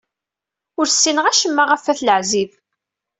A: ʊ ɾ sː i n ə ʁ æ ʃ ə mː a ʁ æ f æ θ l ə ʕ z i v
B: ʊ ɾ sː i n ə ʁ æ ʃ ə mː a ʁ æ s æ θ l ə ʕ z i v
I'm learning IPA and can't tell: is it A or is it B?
A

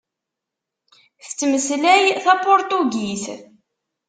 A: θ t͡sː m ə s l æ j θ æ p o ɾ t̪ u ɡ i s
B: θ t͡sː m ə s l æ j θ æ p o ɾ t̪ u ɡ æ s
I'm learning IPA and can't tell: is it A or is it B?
A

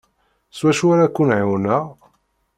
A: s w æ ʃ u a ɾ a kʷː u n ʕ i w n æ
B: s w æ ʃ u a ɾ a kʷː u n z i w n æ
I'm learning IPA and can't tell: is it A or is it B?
A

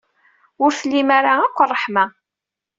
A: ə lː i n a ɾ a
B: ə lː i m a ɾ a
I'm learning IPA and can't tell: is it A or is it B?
B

